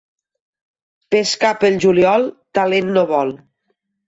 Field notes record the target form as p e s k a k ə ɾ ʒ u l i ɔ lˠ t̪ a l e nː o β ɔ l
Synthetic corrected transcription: p e s k a p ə l ʒ u l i ɔ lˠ t̪ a l e nː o β ɔ l